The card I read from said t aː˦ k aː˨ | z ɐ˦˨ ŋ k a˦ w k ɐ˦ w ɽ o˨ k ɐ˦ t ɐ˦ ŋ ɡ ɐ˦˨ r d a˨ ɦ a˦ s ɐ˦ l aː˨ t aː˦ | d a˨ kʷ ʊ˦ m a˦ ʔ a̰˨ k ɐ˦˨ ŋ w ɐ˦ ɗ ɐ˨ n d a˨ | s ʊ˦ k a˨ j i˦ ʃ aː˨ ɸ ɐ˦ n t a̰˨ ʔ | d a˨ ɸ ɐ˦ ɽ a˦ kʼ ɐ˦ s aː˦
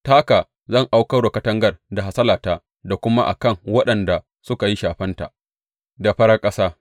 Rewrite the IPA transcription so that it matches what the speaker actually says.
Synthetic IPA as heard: t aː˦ k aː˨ | z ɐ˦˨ ŋ ʔ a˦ w k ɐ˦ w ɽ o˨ k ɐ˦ t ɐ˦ ŋ ɡ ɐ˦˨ r d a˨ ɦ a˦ s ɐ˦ l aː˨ t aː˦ | d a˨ kʷ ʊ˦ m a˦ ʔ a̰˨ k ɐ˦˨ ŋ w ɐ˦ ɗ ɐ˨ n d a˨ | s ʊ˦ k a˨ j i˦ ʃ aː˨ ɸ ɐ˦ n t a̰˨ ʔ | d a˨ ɸ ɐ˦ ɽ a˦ kʼ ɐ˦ s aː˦